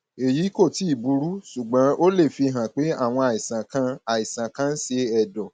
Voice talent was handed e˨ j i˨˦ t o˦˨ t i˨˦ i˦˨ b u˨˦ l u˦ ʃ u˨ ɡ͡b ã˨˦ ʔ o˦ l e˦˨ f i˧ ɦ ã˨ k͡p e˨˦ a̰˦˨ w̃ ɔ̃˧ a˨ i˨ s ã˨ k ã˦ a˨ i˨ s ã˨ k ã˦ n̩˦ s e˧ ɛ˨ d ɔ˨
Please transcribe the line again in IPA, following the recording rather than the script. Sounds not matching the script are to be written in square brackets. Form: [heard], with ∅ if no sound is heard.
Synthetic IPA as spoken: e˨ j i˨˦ [k] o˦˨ t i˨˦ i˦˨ b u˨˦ [ɾ] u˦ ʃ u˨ ɡ͡b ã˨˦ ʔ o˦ l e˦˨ f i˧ ɦ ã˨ k͡p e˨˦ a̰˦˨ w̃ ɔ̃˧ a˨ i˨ s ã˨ k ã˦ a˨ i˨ s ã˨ k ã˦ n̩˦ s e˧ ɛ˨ d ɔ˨